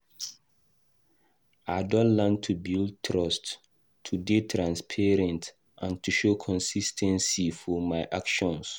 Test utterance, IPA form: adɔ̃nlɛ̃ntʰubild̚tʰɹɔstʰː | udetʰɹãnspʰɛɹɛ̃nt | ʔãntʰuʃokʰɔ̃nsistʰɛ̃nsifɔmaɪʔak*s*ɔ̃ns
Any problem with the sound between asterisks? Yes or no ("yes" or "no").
yes